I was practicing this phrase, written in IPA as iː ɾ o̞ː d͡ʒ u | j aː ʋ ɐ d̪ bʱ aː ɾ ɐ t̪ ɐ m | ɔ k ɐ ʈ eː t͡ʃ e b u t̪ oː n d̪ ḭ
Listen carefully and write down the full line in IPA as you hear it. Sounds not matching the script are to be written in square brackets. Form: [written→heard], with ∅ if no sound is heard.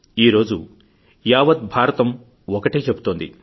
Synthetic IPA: iː ɾ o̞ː d͡ʒ u | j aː ʋ ɐ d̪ bʱ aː ɾ ɐ t̪ ɐ m | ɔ k ɐ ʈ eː t͡ʃ e b u t̪ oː n d̪ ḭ

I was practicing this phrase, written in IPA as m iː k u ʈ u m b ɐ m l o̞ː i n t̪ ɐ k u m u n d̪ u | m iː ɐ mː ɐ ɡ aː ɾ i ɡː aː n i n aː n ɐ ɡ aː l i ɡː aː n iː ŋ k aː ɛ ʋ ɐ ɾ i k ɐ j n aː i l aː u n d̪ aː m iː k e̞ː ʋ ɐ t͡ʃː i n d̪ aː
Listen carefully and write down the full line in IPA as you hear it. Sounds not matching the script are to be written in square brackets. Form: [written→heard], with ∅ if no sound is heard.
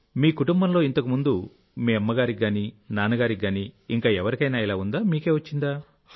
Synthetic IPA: m iː k u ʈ u m b ɐ m l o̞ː i n t̪ ɐ k u m u n d̪ u | m iː ɐ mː ɐ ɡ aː ɾ i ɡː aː n i n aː n ɐ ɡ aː [l→ɾ] i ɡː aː n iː ŋ k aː ɛ ʋ ɐ ɾ i k ɐ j n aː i l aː u n d̪ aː m iː k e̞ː ʋ ɐ t͡ʃː i n d̪ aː

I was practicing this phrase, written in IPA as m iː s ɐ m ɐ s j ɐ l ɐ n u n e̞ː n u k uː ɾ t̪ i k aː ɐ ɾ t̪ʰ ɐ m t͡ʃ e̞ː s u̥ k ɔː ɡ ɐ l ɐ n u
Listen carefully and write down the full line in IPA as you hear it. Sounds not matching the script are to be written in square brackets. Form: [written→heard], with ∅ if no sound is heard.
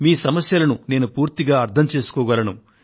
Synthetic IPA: m iː s ɐ m ɐ s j ɐ l ɐ n u n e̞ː n u [k→p] uː ɾ t̪ i [k→ɡ] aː ɐ ɾ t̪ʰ ɐ m t͡ʃ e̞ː s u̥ k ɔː ɡ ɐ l ɐ n u

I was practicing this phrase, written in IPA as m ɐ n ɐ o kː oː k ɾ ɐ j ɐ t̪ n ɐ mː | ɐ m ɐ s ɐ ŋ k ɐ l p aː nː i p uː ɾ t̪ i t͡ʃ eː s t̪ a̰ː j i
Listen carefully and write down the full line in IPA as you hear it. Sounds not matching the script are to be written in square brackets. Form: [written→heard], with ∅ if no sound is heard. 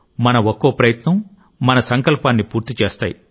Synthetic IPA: m ɐ n ɐ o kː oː [k→p] ɾ ɐ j ɐ t̪ n ɐ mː | ɐ [m→n] ɐ s ɐ ŋ k ɐ l p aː nː i p uː ɾ t̪ i t͡ʃ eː s t̪ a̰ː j i

